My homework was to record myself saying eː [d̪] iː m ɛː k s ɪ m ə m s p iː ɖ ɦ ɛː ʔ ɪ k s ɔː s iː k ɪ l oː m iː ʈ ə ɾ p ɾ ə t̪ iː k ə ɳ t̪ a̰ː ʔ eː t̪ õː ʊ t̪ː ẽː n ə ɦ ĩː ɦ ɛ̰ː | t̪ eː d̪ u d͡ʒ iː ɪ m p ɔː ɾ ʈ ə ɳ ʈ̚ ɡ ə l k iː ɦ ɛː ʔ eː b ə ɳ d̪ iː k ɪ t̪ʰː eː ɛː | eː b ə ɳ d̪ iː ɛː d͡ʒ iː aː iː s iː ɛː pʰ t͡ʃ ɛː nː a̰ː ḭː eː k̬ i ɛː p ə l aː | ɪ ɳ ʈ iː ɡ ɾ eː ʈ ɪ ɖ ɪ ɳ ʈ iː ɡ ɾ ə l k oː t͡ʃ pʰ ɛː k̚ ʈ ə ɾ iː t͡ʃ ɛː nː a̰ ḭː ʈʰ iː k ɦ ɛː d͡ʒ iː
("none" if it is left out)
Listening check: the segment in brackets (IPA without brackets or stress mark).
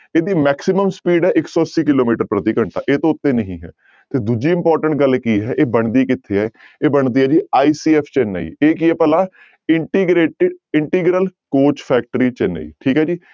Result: d̪